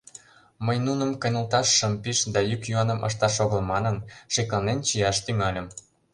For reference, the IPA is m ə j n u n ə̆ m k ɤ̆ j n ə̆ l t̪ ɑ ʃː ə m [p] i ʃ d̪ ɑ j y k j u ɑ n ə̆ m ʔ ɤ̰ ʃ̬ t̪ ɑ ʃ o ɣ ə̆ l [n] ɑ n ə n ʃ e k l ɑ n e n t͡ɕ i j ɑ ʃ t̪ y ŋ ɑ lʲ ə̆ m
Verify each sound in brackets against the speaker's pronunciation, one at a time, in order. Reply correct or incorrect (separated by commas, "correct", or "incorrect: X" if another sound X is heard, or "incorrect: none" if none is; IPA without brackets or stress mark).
correct, incorrect: m